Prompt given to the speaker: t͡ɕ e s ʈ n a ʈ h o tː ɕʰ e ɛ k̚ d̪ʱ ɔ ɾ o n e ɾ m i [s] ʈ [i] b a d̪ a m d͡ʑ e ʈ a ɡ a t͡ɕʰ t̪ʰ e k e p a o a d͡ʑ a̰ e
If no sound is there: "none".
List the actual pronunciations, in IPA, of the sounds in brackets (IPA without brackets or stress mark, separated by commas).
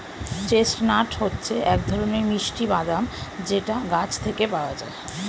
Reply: ʃ, i